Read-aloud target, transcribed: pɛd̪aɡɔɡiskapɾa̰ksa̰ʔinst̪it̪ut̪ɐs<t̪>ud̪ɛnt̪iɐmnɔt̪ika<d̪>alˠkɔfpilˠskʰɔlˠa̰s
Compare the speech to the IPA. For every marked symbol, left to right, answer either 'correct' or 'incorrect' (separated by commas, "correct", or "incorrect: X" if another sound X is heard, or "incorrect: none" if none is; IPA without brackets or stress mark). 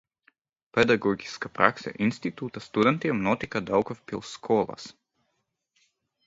correct, correct